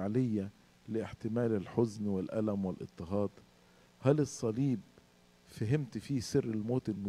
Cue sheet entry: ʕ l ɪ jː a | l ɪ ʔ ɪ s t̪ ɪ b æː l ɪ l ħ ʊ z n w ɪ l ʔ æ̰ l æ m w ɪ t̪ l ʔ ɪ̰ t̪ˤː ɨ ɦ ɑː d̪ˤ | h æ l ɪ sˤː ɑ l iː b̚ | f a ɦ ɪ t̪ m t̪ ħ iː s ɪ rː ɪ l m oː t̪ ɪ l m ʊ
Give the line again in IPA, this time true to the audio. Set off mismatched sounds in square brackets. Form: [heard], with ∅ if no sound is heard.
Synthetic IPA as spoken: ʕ l ɪ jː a | l ɪ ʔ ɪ [ħ] t̪ ɪ [m] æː l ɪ l ħ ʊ z n w ɪ l ʔ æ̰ l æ m w ɪ [∅] l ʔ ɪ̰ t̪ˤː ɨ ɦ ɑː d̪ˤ | h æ l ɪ sˤː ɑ l iː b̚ | f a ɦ ɪ [∅] m t̪ [f] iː s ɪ rː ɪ l m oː t̪ ɪ l m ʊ